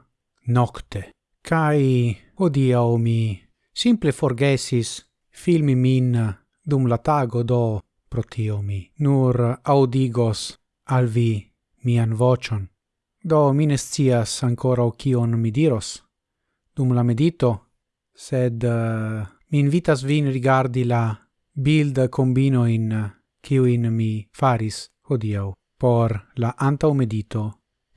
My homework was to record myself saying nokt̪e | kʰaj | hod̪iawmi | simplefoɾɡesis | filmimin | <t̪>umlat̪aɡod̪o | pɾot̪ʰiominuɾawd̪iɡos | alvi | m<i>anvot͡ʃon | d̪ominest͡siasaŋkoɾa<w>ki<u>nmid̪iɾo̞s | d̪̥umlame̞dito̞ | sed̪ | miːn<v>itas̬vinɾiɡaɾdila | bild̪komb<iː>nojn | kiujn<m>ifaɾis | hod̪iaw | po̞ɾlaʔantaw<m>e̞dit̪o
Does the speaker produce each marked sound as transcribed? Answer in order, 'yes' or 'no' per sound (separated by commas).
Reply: no, yes, yes, no, yes, no, yes, yes